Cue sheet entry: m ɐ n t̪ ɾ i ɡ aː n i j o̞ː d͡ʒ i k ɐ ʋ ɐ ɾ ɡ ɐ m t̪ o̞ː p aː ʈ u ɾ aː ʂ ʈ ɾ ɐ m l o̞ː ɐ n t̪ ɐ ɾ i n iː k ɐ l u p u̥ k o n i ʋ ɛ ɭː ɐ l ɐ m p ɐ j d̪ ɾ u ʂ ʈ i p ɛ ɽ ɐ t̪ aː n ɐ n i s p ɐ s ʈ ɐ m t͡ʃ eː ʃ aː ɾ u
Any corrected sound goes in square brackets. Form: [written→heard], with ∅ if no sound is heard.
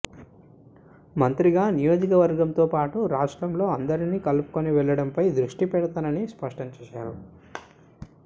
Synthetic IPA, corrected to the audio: m ɐ n t̪ ɾ i ɡ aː n i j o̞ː d͡ʒ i k ɐ ʋ ɐ ɾ ɡ ɐ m t̪ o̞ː p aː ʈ u ɾ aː ʂ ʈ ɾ ɐ m l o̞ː ɐ n [t̪→d̪] ɐ ɾ i n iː k ɐ l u p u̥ k o n i ʋ ɛ ɭː ɐ [l→ɽ] ɐ m p ɐ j d̪ ɾ u ʂ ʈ i p ɛ ɽ ɐ t̪ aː n ɐ n i s p ɐ [s→ʂ] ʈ ɐ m t͡ʃ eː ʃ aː ɾ u